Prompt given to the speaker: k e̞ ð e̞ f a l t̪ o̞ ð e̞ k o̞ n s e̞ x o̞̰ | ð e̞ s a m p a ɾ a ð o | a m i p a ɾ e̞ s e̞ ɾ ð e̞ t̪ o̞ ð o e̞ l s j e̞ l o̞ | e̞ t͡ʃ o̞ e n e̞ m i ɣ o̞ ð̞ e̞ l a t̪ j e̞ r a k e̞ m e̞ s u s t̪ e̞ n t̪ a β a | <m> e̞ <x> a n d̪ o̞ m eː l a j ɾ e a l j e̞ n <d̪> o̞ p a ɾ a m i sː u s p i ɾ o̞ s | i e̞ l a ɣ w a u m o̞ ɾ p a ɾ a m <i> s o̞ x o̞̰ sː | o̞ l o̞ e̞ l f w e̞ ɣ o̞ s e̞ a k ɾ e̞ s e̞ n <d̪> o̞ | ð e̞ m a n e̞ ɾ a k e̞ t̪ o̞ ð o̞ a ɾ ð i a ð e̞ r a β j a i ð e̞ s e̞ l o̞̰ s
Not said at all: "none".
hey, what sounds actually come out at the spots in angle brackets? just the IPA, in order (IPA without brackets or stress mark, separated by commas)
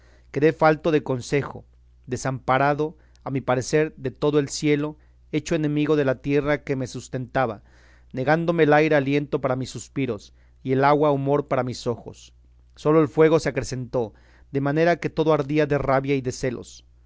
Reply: n, ɣ, t̪, i, t̪